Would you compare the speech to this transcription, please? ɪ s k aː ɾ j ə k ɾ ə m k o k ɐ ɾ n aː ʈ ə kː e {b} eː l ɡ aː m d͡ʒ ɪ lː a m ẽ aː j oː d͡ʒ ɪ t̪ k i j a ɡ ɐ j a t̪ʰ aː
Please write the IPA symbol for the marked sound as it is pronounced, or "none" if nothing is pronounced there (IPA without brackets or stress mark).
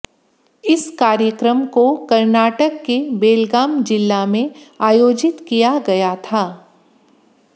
b